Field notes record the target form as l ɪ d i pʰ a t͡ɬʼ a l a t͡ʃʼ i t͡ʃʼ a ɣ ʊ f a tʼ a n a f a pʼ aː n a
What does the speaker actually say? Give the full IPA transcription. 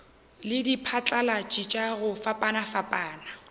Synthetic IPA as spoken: l ɪ d i pʰ a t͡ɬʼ a l a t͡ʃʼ i t͡ʃʼ a ɣ ʊ f a pʼ a n a f a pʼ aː n a

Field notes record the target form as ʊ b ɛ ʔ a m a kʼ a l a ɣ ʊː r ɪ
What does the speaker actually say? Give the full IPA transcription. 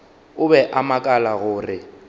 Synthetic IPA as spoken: ʊ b ɛ ʔ a m a kʼ a l a ɣ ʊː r ɪ

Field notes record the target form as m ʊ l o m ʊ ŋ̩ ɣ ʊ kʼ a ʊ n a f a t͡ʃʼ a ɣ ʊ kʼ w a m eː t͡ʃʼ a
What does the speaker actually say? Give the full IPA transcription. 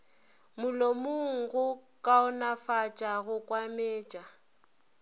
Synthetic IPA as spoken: m ʊ l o m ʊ ŋ̩ ɣ ʊ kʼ a ʊ n a f a t͡ʃʼ a ɣ ʊ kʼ w a m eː t͡ʃʼ a

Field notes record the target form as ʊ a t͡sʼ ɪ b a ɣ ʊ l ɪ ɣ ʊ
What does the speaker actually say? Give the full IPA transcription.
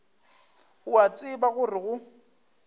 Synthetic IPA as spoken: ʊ a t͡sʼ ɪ b a ɣ ʊ r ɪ ɣ ʊ

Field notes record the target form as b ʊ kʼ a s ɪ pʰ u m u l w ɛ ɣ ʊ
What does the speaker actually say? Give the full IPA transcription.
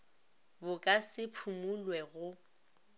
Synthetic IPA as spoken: b ʊ kʼ a s ɪ pʰ u m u l w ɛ ɣ ʊ

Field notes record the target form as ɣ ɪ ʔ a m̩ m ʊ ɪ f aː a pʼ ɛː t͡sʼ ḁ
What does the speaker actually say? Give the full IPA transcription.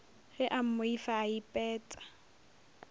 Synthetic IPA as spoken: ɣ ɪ ʔ a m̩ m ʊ i f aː i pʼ ɛː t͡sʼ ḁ

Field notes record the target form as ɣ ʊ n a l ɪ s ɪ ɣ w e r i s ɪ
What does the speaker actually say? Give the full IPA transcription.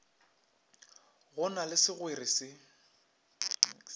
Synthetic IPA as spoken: ɣ ʊ n a l ɪ s ɪ ɣ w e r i s ɪ

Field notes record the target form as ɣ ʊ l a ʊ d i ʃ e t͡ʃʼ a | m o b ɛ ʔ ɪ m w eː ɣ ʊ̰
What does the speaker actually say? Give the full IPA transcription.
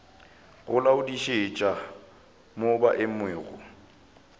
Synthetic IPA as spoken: ɣ ʊ l a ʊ d i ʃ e t͡ʃʼ a | m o b a ʔ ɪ m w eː ɣ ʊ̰

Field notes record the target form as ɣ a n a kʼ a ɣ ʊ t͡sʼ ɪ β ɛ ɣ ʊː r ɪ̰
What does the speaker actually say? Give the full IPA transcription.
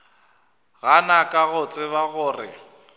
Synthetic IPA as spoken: ɣ a n a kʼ a ɣ ʊ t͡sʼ ɪ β a ɣ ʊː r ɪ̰

